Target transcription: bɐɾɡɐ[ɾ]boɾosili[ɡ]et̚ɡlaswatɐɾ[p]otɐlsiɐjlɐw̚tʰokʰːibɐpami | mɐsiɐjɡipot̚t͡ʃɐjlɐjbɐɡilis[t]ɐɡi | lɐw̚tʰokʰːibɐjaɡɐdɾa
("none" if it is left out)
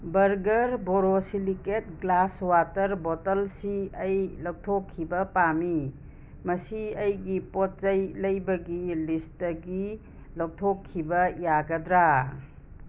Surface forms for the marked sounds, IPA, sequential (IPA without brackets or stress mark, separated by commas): ɾ, k, b, t